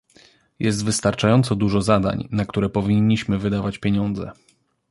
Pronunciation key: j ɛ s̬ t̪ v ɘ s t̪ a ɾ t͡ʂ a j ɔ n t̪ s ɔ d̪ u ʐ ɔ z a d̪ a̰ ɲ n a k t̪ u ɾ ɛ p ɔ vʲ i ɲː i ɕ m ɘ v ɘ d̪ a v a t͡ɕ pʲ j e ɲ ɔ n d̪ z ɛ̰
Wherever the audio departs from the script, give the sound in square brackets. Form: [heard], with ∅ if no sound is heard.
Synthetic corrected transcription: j ɛ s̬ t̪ v ɘ s t̪ a ɾ t͡ʂ a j ɔ n t̪ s ɔ d̪ u ʐ ɔ z a d̪ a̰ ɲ n a k t̪ u ɾ ɛ p ɔ vʲ i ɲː i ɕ m ɘ v ɘ d̪ a v a t͡ɕ pʲ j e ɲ ɔ n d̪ z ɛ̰